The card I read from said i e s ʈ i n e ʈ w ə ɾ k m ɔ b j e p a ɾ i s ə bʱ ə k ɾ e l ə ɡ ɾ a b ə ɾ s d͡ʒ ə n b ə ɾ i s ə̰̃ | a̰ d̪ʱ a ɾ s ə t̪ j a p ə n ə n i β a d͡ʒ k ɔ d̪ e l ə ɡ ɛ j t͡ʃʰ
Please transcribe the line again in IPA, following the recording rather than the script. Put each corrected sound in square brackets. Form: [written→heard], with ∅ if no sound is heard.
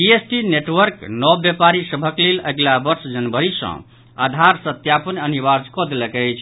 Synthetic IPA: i e s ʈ i n e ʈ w ə ɾ k [m→n] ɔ b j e p a ɾ i s ə bʱ ə k [ɾ→l] e l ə ɡ [ɾ→l] a b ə ɾ s d͡ʒ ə n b ə ɾ i s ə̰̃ | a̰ d̪ʱ a ɾ s ə t̪ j a p ə n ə n i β a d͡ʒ k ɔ d̪ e l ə [ɡ→k] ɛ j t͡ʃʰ